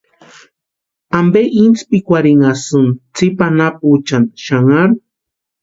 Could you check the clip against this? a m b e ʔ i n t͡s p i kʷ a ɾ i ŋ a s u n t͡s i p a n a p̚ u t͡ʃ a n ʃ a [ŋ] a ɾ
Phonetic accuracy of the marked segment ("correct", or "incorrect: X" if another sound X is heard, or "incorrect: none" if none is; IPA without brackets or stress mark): correct